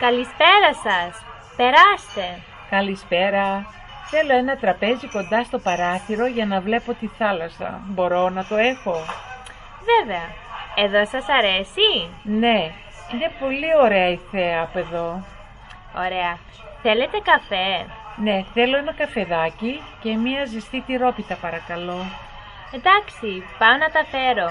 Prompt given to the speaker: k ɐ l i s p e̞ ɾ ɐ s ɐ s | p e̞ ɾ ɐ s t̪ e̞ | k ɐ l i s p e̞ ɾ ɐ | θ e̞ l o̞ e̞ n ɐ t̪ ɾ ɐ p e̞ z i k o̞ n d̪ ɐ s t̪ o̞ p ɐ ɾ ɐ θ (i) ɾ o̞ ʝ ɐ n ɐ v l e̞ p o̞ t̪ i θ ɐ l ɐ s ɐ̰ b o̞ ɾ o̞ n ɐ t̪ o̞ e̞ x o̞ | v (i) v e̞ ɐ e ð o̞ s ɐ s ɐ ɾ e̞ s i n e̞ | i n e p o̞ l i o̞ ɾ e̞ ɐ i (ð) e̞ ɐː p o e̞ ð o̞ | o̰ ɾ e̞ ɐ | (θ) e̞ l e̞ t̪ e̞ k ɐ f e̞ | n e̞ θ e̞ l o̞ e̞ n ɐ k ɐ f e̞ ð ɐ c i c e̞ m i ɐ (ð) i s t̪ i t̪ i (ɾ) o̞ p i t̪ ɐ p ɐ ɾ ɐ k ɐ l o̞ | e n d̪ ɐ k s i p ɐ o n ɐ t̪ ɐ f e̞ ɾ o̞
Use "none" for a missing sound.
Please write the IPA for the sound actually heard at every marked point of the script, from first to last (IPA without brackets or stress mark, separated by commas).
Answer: i, e, θ, θ, z, ɾ